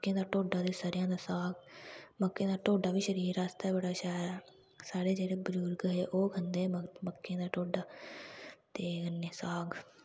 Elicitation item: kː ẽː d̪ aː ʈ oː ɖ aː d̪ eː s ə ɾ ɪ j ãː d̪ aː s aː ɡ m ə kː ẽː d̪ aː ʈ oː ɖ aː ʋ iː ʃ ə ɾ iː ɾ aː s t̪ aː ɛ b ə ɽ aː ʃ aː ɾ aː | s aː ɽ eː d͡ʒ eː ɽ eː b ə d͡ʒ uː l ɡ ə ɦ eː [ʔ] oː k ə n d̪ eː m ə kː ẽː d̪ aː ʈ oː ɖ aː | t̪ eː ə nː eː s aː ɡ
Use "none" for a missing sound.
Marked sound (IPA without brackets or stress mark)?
ʔ